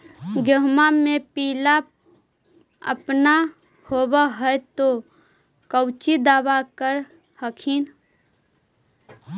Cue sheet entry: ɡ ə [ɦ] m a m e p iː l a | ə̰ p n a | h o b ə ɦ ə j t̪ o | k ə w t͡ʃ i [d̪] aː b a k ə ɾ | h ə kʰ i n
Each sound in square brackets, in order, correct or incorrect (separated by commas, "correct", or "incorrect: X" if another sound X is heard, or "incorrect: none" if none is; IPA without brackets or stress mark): correct, correct